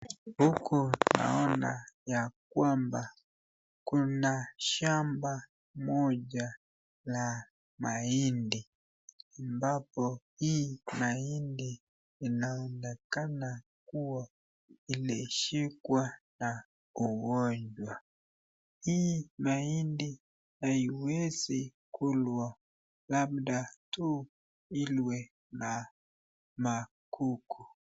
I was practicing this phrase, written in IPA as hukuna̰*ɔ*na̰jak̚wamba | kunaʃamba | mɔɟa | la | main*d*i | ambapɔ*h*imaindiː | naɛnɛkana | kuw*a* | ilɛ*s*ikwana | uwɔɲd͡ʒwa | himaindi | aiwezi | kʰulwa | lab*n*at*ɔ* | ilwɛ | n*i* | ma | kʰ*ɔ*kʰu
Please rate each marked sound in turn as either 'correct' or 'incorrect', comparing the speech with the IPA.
correct, correct, correct, correct, incorrect, incorrect, incorrect, incorrect, incorrect

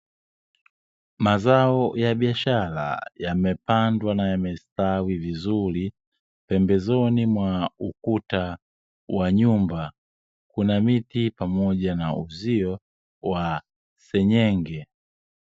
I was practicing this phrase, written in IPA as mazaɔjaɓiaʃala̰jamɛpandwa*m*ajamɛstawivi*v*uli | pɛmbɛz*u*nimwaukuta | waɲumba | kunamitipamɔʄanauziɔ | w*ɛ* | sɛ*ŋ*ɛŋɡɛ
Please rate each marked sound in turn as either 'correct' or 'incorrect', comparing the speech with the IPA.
incorrect, incorrect, incorrect, incorrect, incorrect

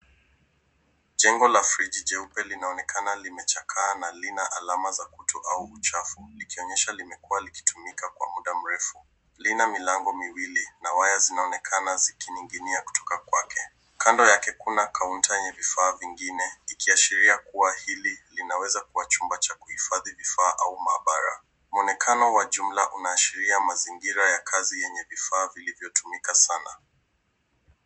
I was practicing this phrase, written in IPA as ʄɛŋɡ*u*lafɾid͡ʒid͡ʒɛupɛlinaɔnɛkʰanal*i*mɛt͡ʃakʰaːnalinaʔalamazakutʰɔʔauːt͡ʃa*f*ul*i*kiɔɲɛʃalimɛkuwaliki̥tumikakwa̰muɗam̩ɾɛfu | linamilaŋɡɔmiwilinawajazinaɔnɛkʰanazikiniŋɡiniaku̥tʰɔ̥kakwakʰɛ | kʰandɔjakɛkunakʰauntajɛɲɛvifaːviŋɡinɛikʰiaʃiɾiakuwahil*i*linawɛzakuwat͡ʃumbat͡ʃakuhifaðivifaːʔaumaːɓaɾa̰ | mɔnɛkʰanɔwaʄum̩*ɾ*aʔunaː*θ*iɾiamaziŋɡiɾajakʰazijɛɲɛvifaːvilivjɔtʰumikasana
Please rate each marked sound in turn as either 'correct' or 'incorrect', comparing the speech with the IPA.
incorrect, correct, correct, correct, correct, incorrect, incorrect

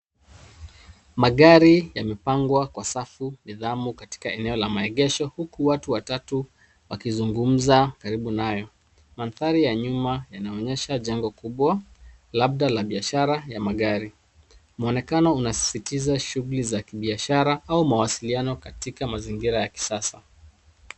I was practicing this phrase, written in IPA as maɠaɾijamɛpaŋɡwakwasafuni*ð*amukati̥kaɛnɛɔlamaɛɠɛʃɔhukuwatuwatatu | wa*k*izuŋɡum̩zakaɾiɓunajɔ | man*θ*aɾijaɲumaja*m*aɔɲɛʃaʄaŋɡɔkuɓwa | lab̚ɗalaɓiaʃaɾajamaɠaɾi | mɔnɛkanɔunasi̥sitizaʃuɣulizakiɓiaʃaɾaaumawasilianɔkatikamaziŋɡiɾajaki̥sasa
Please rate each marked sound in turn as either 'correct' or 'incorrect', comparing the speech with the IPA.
correct, correct, correct, incorrect

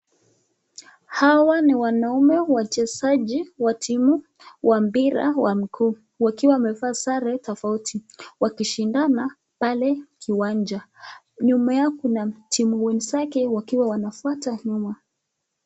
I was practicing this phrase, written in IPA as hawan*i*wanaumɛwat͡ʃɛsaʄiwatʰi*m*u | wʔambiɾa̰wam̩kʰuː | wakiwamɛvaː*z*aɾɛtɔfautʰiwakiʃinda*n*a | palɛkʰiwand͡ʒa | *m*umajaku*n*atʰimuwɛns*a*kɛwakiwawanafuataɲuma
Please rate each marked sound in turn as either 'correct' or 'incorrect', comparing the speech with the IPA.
correct, correct, incorrect, correct, incorrect, correct, correct

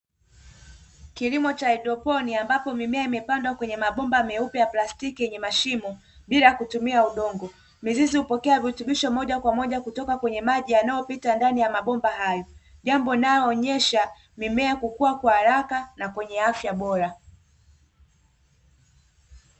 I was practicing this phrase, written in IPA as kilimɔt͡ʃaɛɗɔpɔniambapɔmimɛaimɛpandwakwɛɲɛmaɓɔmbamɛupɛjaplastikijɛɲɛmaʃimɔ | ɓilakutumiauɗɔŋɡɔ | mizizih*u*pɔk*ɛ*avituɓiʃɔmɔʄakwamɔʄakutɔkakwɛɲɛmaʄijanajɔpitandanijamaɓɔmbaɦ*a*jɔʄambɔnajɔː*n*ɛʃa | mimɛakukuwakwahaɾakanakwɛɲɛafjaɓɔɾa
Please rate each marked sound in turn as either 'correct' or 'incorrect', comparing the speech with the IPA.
correct, correct, correct, incorrect

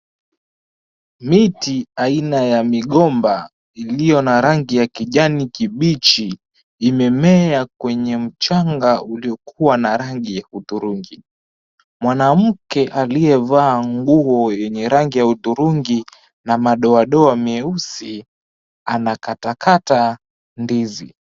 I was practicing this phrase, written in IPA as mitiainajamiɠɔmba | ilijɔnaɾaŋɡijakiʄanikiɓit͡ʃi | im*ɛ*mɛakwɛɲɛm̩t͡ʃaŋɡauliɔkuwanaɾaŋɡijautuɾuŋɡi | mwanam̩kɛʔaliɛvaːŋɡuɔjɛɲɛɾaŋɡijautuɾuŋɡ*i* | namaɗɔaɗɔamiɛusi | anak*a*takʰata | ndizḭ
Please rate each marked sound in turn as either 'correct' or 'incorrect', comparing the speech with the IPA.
correct, correct, correct

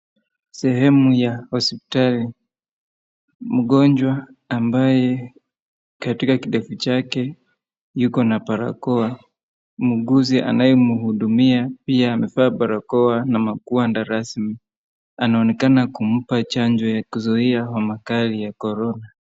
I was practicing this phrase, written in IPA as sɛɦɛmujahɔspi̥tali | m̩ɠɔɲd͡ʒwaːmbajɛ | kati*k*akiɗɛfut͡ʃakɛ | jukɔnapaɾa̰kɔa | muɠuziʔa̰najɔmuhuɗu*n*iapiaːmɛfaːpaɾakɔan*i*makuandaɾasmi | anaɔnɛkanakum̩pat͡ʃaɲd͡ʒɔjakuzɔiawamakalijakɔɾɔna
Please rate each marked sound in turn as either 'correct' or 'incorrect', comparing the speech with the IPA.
correct, incorrect, incorrect

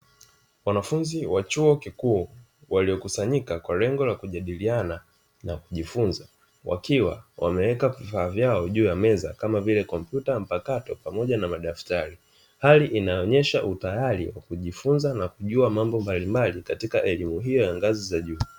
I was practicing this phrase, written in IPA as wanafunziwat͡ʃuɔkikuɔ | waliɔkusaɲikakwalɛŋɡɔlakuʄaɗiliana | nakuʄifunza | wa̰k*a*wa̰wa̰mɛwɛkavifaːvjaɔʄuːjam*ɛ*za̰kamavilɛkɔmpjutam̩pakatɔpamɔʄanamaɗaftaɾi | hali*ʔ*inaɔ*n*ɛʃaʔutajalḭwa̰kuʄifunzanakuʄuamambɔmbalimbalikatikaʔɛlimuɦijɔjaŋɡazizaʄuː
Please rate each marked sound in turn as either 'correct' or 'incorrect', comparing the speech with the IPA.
incorrect, correct, correct, incorrect

